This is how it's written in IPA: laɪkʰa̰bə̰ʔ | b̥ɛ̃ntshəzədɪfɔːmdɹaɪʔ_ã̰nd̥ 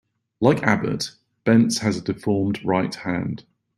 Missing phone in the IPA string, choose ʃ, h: h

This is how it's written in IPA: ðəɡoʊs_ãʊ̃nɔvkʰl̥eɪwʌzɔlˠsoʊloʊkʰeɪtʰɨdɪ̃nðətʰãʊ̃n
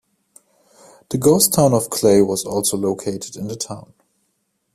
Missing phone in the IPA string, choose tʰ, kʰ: tʰ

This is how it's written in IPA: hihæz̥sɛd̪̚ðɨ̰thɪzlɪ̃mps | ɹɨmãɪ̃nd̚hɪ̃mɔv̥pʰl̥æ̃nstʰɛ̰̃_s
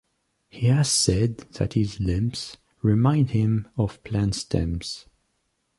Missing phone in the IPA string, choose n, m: m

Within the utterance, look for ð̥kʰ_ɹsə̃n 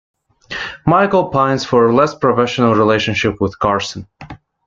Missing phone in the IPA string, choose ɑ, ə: ɑ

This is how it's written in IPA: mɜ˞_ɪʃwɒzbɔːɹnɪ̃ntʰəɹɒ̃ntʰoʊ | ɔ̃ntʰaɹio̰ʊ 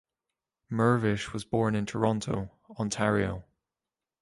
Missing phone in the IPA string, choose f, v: v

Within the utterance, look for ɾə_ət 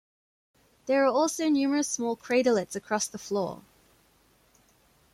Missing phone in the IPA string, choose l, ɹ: l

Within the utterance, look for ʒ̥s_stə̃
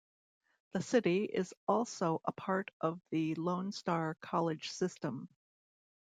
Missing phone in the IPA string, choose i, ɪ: ɪ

